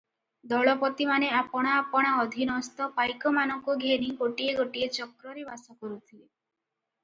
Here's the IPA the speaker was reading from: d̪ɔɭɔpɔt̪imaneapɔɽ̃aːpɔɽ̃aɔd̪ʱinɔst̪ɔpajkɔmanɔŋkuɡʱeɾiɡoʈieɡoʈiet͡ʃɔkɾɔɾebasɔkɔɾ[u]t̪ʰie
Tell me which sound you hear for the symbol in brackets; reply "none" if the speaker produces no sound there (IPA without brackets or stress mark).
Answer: u